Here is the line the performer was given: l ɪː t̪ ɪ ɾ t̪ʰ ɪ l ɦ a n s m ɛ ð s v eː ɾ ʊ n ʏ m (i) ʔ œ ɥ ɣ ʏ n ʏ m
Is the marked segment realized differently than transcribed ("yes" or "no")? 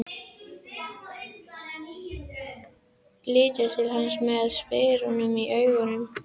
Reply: no